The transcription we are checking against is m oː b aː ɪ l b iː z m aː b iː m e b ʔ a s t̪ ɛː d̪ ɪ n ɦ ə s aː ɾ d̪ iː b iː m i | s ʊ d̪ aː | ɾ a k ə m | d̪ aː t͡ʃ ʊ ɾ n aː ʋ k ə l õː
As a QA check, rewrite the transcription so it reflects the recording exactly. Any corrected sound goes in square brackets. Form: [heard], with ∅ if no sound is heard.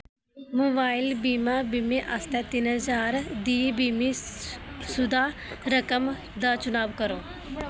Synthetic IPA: m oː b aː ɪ l b iː [∅] m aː b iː m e [∅] ʔ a s t̪ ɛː [t̪] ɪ n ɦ ə [z] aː ɾ d̪ iː b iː m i | s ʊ d̪ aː | ɾ [ə] k ə m | d̪ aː t͡ʃ ʊ [∅] n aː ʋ k ə [ɾ] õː